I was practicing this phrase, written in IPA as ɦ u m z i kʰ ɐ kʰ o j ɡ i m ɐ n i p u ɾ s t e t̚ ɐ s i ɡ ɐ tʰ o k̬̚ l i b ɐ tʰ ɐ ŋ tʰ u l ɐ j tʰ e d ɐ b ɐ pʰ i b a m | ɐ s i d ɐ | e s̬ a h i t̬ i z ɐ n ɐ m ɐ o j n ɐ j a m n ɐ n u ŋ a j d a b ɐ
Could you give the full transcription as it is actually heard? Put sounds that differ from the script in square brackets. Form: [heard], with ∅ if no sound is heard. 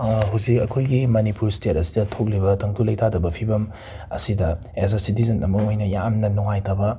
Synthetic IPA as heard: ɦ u [∅] z i [k] ɐ kʰ o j ɡ i m ɐ n i p u ɾ s t e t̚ ɐ s i [d] ɐ tʰ o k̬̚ l i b ɐ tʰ ɐ ŋ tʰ u l ɐ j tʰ [a] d ɐ b ɐ pʰ i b [ɐ] m | ɐ s i d ɐ | e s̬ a [s] i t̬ i z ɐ n ɐ m ɐ o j n ɐ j a m n ɐ n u ŋ a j [t] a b ɐ